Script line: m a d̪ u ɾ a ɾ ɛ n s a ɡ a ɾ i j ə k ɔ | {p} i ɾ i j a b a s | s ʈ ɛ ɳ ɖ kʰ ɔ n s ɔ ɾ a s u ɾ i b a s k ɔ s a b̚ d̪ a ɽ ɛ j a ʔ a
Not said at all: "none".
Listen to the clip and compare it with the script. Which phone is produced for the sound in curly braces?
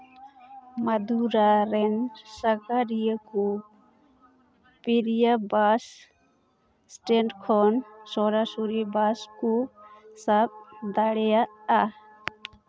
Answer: p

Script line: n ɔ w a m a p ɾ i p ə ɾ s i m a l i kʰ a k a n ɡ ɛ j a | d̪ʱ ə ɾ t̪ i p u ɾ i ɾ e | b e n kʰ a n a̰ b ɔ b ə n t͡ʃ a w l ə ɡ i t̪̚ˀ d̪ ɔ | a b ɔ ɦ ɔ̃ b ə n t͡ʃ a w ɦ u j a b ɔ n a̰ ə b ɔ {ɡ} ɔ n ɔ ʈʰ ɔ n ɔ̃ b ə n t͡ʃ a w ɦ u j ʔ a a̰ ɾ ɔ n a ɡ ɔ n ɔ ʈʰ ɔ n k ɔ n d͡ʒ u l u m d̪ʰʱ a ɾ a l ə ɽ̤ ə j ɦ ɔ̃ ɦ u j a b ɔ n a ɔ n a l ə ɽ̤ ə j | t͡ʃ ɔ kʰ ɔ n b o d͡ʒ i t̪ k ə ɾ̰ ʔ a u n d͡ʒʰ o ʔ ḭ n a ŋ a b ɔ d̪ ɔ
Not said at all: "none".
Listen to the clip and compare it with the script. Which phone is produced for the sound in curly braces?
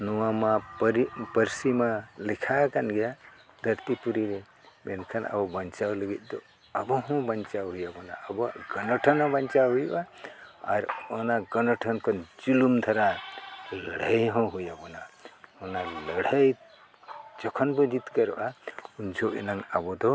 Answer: ɡ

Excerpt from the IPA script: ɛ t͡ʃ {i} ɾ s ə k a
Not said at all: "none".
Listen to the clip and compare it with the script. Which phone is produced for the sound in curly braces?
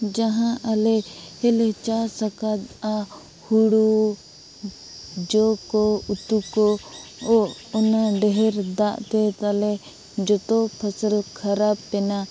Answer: a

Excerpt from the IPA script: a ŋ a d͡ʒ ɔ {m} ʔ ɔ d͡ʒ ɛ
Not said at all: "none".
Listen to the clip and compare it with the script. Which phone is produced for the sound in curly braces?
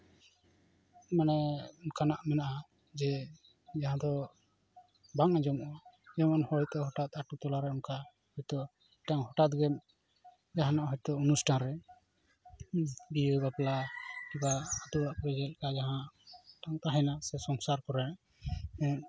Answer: m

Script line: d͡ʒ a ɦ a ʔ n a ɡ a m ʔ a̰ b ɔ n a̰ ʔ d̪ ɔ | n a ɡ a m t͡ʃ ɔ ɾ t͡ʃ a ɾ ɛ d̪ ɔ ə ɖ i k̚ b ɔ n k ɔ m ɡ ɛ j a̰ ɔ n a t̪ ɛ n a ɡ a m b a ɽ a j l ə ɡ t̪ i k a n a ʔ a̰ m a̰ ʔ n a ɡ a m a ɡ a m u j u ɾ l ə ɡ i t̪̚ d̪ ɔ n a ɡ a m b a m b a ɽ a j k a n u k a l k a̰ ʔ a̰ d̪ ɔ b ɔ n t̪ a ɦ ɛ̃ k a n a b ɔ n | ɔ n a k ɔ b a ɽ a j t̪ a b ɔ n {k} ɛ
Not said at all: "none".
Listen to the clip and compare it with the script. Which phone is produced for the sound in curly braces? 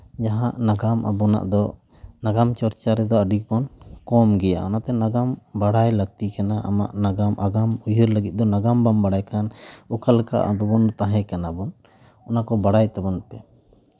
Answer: p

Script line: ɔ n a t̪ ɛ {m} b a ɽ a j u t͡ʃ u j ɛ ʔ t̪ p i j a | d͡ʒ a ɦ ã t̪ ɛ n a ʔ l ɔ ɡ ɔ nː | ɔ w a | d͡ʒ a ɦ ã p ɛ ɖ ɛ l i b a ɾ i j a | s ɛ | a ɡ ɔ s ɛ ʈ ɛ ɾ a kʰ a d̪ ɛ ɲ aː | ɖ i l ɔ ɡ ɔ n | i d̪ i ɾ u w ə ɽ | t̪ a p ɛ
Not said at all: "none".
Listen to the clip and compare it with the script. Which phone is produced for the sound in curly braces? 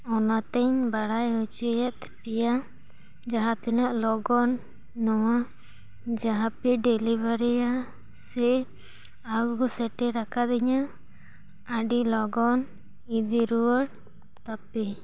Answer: ɲ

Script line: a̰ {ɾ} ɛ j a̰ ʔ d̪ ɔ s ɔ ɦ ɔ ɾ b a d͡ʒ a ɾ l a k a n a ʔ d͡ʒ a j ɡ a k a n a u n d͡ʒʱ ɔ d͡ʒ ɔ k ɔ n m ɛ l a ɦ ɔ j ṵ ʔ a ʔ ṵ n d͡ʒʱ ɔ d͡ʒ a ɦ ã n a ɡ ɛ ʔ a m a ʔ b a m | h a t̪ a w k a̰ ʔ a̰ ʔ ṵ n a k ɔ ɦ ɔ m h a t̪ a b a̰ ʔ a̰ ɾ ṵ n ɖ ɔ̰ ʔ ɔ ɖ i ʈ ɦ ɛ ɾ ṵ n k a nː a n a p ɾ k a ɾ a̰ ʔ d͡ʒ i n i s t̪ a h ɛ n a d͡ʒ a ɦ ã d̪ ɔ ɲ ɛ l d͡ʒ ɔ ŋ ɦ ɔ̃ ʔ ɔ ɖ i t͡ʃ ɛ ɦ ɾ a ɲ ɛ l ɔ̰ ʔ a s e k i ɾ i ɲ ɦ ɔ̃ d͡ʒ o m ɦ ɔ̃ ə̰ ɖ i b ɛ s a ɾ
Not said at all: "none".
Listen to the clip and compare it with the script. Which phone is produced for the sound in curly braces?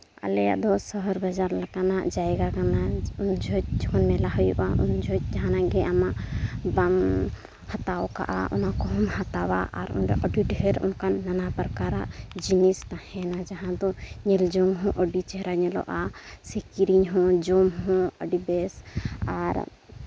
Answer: l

